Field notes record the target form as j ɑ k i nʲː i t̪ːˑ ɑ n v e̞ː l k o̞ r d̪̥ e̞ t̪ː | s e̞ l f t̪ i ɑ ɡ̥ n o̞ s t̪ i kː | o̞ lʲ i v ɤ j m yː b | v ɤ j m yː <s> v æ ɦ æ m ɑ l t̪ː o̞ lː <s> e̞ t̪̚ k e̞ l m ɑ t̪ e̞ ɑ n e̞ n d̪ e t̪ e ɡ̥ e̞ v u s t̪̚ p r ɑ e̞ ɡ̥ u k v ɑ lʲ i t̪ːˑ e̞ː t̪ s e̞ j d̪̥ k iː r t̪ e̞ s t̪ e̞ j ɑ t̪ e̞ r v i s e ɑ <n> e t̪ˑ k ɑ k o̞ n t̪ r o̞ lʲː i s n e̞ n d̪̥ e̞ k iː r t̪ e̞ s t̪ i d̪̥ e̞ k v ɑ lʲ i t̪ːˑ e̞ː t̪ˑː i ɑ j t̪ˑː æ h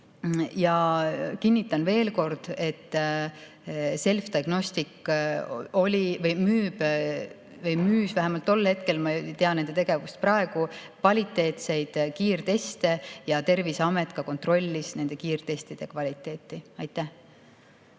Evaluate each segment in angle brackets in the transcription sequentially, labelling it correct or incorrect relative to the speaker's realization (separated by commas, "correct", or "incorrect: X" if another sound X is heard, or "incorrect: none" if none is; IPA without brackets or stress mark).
correct, incorrect: h, incorrect: m